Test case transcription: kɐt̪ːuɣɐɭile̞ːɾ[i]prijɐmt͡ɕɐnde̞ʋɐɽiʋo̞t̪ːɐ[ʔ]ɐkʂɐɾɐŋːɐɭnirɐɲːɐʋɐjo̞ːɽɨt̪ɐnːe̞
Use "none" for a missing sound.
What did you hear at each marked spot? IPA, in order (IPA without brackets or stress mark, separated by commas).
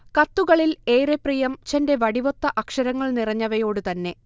e, ʔ